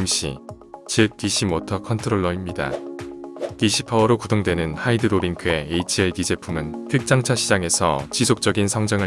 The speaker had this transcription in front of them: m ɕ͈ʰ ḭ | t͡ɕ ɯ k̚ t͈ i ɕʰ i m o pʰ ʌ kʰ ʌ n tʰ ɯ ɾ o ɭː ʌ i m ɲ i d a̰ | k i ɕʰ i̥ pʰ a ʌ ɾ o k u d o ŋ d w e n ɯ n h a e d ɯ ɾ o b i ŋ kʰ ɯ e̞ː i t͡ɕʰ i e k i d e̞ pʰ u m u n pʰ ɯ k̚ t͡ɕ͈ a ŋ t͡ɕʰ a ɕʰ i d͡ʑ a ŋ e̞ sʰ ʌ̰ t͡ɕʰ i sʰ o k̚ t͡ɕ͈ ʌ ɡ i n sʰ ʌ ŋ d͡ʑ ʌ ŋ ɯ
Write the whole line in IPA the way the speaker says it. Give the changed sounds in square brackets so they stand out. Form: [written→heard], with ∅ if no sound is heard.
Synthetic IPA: m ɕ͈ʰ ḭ | t͡ɕ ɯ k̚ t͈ i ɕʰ i m o [pʰ→tʰ] ʌ kʰ ʌ n tʰ ɯ ɾ o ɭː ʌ i m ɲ i d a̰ | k i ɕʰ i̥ pʰ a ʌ ɾ o k u d o ŋ d w e n ɯ n h a [e→i] d ɯ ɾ o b i ŋ kʰ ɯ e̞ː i t͡ɕʰ i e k i [d→d͡ʑ] e̞ pʰ u m [u→ɯ] n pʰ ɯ k̚ t͡ɕ͈ a ŋ t͡ɕʰ a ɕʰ i d͡ʑ a ŋ e̞ sʰ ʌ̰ [t͡ɕʰ→t͡ɕ] i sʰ o k̚ t͡ɕ͈ ʌ ɡ i n sʰ ʌ ŋ d͡ʑ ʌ ŋ ɯ

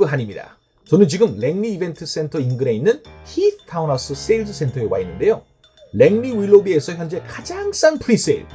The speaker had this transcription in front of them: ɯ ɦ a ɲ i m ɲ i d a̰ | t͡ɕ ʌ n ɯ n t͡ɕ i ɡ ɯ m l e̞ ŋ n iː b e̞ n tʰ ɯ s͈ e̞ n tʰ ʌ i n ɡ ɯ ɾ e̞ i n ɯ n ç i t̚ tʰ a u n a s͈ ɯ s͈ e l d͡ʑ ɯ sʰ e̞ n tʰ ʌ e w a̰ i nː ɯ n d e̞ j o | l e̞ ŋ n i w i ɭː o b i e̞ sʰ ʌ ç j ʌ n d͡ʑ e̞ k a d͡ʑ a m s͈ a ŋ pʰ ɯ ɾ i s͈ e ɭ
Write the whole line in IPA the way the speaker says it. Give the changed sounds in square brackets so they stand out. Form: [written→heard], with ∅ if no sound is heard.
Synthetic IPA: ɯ ɦ a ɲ i m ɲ i d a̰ | t͡ɕ ʌ n ɯ n t͡ɕ i ɡ ɯ m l e̞ ŋ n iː b e̞ n tʰ ɯ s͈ e̞ n tʰ ʌ i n ɡ ɯ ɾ e̞ i [n→nː] ɯ n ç i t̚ tʰ a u n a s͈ ɯ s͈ e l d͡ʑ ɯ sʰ e̞ n tʰ ʌ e w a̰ i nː ɯ n d e̞ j o | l e̞ ŋ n i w i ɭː o b i e̞ sʰ ʌ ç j ʌ n d͡ʑ e̞ k a d͡ʑ a [m→ŋ] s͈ a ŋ pʰ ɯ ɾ i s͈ e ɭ

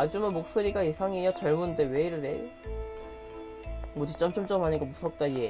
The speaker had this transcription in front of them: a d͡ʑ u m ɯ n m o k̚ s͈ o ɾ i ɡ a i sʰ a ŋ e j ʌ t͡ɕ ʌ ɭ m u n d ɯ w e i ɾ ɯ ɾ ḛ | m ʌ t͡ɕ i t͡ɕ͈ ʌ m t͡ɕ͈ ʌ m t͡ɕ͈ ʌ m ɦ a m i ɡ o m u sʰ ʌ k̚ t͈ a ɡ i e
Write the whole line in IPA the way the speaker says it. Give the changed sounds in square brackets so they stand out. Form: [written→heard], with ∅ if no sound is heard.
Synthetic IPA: a d͡ʑ u m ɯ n m o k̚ s͈ o ɾ i ɡ a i sʰ a ŋ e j ʌ t͡ɕ ʌ ɭ m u n d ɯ w e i ɾ ɯ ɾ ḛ | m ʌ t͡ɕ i t͡ɕ͈ ʌ m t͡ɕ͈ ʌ m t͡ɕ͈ ʌ m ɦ a [m→ɲ] i ɡ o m u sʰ ʌ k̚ t͈ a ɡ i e

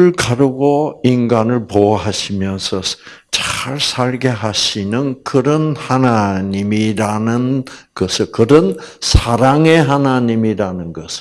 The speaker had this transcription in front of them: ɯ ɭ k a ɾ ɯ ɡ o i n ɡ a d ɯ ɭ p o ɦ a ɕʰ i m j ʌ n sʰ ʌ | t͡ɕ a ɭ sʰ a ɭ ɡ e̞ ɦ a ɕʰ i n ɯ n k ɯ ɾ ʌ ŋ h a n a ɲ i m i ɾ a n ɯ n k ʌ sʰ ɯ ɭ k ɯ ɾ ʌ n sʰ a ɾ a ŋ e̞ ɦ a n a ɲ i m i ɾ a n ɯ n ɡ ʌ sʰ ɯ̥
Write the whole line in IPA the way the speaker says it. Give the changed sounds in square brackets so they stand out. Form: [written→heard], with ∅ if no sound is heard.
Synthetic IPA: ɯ ɭ k a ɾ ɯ ɡ o i n ɡ a [d→n] ɯ ɭ p o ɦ a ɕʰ i m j ʌ n sʰ ʌ | t͡ɕ a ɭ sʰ a ɭ ɡ e̞ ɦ a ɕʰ i n ɯ n k ɯ ɾ ʌ [ŋ→n] h a n a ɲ i m i ɾ a n ɯ n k ʌ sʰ ɯ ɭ k ɯ ɾ ʌ n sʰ a ɾ a ŋ e̞ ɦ a n a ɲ i m i ɾ a n ɯ n ɡ ʌ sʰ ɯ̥

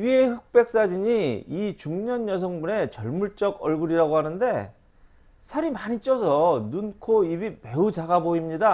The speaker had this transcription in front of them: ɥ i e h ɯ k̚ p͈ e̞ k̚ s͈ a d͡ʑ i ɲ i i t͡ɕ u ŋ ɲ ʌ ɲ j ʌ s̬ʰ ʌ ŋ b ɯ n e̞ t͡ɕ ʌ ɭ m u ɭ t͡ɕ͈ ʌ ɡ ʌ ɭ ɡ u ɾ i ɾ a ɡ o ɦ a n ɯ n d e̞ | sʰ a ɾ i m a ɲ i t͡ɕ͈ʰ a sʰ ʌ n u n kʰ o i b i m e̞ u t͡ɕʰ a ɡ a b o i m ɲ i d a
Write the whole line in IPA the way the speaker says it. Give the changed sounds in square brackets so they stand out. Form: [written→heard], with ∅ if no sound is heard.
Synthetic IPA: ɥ i e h ɯ k̚ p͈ e̞ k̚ s͈ a d͡ʑ i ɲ i i t͡ɕ u ŋ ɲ ʌ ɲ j ʌ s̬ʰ ʌ ŋ b [ɯ→u] n e̞ t͡ɕ ʌ ɭ m u ɭ t͡ɕ͈ ʌ ɡ ʌ ɭ ɡ u ɾ i ɾ a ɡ o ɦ a n ɯ n d e̞ | sʰ a ɾ i m a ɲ i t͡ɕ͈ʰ [a→ʌ] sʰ ʌ n u n kʰ o i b i m e̞ u [t͡ɕʰ→t͡ɕ] a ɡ a b o i m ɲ i d a

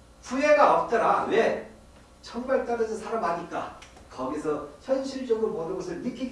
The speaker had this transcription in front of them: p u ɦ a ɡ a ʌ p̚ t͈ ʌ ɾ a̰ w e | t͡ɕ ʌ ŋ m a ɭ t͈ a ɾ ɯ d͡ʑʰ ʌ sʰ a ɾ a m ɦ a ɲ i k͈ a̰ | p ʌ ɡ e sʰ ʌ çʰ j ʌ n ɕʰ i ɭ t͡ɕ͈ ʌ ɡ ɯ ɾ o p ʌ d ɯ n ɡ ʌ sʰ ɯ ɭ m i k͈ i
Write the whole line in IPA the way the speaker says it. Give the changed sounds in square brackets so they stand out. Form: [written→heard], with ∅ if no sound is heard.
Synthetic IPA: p u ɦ [a→e] ɡ a ʌ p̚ t͈ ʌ ɾ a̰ w e | [t͡ɕ→t͡ɕʰ] ʌ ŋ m a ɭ t͈ a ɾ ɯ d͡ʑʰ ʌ sʰ a ɾ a m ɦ a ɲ i k͈ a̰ | [p→k] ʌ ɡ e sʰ ʌ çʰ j ʌ n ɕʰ i ɭ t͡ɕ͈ ʌ ɡ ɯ ɾ o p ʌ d ɯ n ɡ ʌ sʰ ɯ ɭ m i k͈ i

